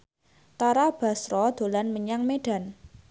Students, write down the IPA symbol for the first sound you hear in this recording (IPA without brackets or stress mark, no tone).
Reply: t̪